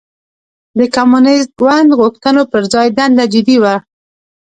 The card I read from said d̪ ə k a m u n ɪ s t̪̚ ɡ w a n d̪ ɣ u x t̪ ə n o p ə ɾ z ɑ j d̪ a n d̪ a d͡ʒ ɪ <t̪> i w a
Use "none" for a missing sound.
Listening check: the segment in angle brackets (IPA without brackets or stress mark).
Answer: d̪